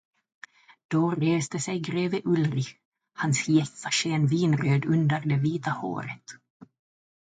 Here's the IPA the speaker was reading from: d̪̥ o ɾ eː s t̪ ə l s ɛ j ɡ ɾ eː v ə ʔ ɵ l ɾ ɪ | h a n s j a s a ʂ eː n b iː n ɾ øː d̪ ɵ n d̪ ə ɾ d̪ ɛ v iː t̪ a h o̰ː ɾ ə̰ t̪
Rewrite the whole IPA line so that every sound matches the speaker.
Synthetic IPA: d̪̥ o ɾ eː s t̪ ə s ɛ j ɡ ɾ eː v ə ʔ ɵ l ɾ ɪ | h a n s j ɛ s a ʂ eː n v iː n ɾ øː d̪ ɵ n d̪ ə ɾ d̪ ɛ v iː t̪ a h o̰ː ɾ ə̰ t̪